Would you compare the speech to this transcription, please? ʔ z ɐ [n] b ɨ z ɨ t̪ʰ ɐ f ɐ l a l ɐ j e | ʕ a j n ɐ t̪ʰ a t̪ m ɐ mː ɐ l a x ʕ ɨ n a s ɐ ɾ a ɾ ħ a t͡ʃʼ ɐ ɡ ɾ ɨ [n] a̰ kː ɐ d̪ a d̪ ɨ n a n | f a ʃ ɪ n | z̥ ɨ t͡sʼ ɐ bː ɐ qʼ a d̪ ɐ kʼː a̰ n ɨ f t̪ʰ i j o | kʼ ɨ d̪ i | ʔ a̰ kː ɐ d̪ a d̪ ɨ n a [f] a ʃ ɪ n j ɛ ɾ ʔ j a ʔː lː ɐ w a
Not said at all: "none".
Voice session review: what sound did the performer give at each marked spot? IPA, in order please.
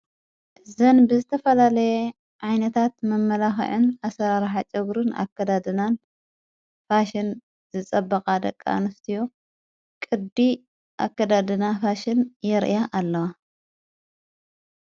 n, n, f

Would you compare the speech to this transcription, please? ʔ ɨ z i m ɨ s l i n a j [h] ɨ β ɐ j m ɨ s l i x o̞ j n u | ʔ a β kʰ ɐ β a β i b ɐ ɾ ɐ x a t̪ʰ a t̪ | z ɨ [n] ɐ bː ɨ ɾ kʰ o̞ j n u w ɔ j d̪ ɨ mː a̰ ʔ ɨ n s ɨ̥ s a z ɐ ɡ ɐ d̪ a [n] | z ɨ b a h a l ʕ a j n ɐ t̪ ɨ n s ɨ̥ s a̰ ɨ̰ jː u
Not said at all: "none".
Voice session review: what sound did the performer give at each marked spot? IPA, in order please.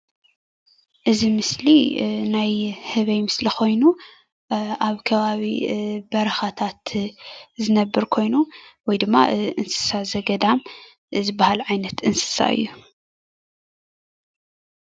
h, n, m

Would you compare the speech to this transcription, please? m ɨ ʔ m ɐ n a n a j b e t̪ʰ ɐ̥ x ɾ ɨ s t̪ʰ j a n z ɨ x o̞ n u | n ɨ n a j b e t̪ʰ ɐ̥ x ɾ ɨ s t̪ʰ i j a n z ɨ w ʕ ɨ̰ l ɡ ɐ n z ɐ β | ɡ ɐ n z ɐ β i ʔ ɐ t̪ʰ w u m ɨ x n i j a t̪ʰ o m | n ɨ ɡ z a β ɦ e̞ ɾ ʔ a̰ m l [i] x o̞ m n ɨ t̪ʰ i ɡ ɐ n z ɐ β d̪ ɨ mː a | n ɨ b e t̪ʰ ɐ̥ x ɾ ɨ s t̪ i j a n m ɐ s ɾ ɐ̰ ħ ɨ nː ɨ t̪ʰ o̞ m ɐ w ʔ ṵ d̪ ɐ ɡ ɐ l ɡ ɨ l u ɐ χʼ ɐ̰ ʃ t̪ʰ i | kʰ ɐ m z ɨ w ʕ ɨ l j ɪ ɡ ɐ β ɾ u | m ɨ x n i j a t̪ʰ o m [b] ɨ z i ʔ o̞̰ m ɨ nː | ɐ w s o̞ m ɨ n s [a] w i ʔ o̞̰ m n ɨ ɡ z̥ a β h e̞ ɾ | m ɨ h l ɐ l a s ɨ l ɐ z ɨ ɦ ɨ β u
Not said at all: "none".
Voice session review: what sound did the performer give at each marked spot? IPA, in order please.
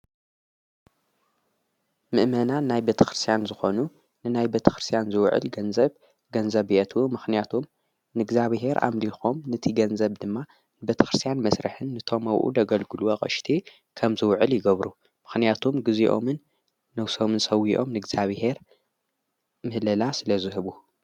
i, ɡ, ɐ

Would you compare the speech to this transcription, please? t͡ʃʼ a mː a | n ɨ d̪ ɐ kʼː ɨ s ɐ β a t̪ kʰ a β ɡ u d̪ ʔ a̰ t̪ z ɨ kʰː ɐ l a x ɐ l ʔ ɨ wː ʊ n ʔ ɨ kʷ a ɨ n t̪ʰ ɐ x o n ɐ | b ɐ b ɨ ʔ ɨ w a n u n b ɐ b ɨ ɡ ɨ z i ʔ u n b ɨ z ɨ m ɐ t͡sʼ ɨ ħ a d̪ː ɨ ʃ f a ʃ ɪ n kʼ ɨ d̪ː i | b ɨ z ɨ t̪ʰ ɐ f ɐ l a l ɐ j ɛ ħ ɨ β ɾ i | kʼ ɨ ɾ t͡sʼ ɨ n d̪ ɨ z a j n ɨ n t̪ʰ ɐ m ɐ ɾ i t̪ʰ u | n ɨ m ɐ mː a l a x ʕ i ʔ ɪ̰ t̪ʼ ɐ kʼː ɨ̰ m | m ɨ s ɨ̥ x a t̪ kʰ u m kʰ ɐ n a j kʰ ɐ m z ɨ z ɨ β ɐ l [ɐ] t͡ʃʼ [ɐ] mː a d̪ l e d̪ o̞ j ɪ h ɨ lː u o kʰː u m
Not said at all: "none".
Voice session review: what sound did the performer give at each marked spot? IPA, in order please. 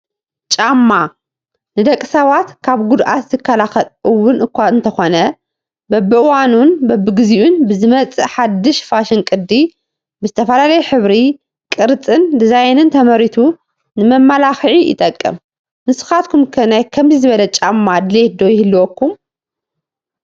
ɐ, a

